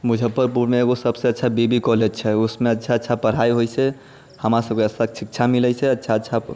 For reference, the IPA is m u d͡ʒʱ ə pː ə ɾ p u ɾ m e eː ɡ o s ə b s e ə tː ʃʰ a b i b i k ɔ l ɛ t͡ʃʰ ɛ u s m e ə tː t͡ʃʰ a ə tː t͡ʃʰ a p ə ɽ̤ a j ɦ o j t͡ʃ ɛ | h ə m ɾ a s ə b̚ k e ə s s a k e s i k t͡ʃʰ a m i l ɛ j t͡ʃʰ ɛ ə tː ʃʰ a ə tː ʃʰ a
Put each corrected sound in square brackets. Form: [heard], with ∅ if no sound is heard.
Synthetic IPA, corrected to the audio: m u d͡ʒʱ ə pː ə ɾ p u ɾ m e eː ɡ o s ə b s e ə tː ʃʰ a b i b i k ɔ l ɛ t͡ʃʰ ɛ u s m e ə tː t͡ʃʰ a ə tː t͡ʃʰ a p ə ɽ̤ a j ɦ o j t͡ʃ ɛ | h ə m ɾ a s ə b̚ k e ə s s a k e s i k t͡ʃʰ a m i l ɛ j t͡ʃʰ ɛ ə tː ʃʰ a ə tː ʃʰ a